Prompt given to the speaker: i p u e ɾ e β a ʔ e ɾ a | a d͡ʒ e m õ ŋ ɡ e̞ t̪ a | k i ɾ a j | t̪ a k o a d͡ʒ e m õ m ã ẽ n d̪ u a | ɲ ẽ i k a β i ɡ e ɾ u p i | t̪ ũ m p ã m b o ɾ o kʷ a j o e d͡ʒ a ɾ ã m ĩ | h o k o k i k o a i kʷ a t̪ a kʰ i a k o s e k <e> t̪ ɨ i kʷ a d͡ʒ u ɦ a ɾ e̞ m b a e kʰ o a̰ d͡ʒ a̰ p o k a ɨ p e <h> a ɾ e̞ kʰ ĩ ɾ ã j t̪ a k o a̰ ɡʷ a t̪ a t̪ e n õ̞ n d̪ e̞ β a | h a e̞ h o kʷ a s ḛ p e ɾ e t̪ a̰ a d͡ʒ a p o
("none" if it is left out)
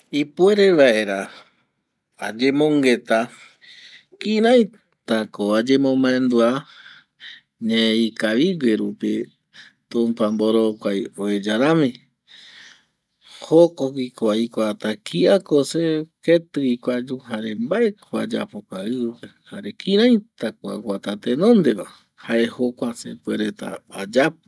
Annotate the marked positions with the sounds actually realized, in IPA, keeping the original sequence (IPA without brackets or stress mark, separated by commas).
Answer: e, h